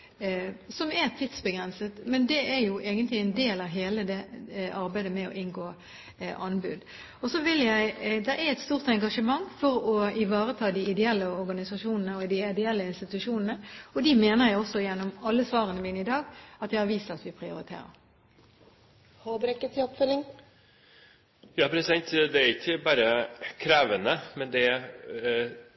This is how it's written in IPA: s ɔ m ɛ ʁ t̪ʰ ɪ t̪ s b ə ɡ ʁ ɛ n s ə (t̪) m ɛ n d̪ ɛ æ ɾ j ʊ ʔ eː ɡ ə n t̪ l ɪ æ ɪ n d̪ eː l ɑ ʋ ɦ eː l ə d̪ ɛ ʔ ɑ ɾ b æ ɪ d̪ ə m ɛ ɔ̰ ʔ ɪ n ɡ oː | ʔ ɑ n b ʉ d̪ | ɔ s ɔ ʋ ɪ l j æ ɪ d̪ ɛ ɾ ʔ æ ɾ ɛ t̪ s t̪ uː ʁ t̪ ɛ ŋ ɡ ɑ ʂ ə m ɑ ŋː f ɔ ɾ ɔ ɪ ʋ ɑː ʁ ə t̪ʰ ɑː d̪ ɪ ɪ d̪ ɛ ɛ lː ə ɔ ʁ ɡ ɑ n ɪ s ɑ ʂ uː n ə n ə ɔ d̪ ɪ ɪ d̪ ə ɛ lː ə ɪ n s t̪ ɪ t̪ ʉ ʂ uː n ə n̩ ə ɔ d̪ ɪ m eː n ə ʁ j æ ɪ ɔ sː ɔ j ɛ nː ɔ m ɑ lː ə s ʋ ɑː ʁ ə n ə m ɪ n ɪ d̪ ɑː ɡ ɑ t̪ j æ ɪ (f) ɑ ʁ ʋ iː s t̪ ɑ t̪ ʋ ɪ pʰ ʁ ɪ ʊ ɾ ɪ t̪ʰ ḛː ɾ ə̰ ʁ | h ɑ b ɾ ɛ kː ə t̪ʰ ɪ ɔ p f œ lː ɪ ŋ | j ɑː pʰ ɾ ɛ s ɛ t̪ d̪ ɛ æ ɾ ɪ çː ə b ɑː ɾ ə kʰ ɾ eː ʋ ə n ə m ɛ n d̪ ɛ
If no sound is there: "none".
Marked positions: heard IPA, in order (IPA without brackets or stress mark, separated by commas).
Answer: t̪, h